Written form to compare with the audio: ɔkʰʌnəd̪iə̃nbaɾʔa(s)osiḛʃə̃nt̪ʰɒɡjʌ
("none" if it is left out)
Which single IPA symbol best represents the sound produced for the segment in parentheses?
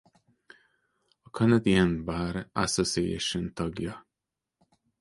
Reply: s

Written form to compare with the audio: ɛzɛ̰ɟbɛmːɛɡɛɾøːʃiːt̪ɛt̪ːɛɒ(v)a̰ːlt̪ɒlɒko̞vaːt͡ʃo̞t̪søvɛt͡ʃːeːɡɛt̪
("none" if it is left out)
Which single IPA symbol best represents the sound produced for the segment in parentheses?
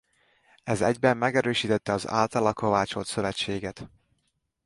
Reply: z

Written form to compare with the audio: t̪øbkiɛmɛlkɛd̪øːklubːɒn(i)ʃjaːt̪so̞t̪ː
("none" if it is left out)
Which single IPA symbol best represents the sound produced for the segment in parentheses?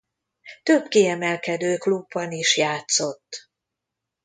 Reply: i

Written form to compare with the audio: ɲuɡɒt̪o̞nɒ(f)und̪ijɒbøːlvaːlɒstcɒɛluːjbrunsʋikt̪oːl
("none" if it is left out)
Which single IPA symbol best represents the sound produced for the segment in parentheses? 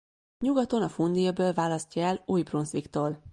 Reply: f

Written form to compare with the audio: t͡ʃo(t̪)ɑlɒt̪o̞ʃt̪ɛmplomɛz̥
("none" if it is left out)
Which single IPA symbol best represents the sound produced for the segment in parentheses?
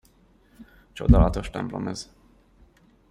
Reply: d̪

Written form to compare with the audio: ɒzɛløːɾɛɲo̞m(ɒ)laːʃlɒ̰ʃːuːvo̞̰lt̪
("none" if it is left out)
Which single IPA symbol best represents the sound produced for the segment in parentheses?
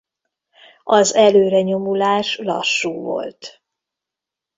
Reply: u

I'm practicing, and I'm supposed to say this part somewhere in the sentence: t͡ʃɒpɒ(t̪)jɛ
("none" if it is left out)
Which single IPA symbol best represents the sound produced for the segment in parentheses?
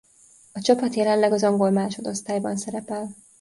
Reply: t̪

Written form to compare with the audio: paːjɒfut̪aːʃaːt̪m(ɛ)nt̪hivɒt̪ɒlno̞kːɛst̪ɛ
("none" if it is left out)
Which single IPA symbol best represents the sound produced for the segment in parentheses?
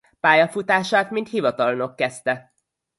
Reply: i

